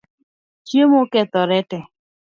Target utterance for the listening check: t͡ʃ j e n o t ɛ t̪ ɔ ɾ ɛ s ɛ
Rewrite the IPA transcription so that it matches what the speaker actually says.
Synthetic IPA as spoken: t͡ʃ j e m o k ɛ t̪ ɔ ɾ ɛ t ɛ